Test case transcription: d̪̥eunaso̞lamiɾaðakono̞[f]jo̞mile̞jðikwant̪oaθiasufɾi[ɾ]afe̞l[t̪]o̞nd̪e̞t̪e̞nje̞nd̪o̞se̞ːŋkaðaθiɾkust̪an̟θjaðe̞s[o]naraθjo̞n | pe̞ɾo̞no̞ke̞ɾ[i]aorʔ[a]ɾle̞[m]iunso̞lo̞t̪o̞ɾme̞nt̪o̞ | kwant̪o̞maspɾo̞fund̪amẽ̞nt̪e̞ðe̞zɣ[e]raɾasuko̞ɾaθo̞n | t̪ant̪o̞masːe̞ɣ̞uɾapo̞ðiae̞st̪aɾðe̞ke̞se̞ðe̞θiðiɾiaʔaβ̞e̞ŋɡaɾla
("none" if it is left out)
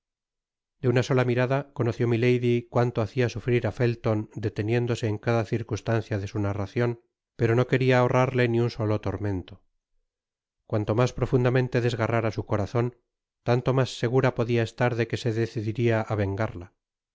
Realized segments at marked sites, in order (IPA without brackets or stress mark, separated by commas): θ, ɾ, t̪, u, i, a, n, a